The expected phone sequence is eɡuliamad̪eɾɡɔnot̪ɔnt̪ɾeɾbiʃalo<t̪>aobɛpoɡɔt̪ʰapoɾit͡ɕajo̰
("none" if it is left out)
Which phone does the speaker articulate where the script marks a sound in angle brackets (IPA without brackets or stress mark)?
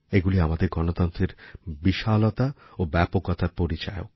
t̪